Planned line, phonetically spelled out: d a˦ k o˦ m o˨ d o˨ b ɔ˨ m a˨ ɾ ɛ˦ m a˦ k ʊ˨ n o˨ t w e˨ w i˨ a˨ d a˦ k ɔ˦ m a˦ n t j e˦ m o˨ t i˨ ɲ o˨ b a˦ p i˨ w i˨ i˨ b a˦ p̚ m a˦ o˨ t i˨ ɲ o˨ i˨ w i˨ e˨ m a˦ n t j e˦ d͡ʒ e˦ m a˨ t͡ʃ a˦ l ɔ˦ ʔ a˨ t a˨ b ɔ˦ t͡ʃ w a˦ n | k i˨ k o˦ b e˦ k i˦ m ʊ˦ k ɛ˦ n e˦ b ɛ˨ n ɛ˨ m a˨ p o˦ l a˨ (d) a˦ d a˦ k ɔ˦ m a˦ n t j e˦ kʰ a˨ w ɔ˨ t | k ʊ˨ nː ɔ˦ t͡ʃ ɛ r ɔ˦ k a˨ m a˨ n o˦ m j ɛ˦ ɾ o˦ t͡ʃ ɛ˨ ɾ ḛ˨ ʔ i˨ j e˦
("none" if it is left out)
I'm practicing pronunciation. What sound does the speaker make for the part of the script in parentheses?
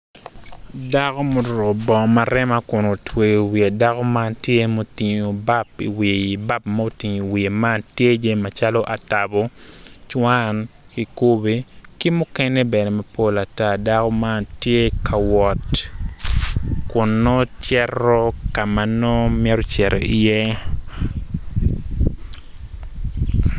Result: t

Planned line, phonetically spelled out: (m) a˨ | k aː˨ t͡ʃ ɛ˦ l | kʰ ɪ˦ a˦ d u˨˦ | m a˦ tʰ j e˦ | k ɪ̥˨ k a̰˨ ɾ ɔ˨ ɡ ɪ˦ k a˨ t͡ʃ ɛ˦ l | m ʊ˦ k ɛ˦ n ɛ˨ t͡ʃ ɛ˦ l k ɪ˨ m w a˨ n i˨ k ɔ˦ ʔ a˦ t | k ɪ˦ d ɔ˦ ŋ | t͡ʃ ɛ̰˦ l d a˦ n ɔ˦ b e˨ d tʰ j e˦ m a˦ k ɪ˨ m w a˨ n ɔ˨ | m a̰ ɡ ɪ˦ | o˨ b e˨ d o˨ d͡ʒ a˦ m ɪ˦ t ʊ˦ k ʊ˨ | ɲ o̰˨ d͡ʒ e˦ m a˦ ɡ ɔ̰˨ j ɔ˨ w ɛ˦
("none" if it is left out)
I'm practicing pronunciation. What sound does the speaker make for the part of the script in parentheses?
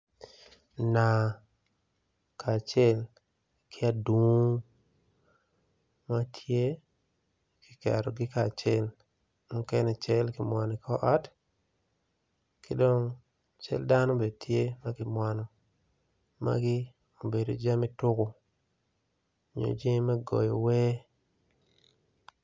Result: n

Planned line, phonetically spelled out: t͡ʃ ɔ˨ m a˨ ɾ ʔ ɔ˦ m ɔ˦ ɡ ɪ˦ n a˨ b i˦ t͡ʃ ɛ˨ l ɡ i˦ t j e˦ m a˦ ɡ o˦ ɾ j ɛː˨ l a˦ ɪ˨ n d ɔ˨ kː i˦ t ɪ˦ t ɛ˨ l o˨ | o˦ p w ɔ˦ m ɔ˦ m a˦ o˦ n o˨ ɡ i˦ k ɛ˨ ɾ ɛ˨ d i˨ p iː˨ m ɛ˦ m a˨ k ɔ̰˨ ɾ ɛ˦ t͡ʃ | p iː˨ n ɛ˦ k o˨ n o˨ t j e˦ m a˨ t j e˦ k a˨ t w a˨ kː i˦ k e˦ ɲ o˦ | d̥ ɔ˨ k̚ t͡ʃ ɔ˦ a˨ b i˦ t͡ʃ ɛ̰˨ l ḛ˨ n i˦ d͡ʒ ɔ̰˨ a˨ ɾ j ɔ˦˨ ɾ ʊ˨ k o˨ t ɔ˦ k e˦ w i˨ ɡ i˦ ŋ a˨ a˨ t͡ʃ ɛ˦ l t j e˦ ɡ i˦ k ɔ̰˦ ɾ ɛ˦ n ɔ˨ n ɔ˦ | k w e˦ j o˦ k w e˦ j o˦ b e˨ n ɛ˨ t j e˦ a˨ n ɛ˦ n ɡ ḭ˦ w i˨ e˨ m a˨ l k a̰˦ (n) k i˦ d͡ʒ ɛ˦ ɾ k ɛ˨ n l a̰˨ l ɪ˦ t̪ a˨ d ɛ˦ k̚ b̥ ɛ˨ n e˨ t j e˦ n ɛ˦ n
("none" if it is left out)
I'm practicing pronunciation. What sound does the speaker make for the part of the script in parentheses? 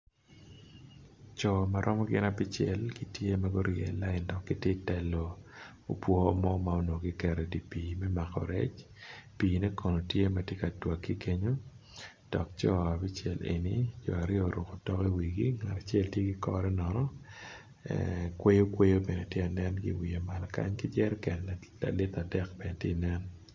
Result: ɲ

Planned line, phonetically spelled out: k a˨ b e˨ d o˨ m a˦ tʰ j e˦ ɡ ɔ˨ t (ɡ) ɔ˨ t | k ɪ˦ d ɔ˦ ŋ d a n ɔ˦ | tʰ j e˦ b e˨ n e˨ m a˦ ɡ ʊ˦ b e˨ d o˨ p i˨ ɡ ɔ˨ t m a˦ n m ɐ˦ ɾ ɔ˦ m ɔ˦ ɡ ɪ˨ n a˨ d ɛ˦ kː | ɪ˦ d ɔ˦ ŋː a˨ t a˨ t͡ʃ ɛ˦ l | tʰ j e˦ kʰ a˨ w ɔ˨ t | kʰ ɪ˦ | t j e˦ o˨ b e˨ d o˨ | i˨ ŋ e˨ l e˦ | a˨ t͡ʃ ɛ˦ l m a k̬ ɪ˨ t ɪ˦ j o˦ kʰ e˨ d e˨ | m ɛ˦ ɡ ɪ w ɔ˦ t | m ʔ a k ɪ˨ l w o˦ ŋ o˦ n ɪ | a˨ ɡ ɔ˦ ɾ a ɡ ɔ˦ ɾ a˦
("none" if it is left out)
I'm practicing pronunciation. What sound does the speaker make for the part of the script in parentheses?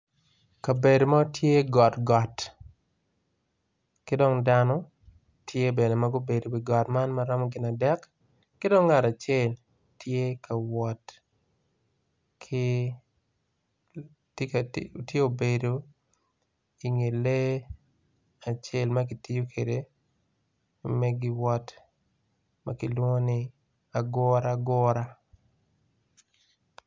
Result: ɡ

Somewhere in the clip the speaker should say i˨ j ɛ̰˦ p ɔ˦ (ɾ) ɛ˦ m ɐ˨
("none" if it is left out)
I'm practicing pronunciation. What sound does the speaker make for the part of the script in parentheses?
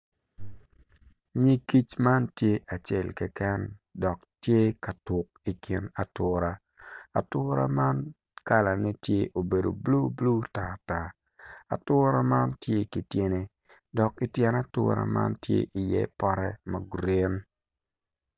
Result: ɾ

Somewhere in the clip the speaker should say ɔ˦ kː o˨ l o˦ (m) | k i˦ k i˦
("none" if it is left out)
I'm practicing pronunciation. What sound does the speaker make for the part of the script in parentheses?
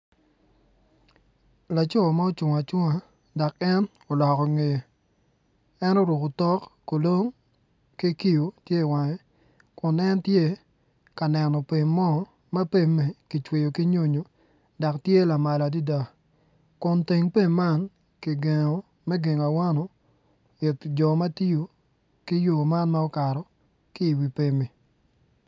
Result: ŋ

